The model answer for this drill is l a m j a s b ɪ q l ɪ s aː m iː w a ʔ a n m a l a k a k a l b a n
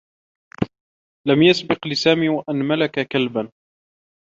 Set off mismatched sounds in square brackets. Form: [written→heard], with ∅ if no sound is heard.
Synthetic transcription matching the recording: l a m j a s b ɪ q l ɪ s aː m iː w a ʔ a n m a l a k a k a l b a n